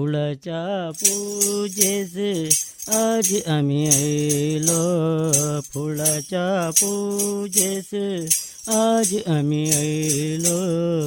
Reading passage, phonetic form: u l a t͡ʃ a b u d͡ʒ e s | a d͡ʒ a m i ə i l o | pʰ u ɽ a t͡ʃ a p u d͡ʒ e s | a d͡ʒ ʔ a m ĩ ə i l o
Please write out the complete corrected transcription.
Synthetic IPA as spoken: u l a t͡ʃ a p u d͡ʒ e s | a d͡ʒ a m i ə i l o | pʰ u l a t͡ʃ a p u d͡ʒ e s | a d͡ʒ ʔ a m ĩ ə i l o